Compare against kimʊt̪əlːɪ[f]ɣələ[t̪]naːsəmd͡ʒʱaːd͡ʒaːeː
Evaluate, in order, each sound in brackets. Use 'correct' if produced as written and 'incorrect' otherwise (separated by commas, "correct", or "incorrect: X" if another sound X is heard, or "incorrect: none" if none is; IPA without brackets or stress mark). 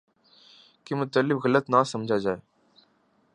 correct, correct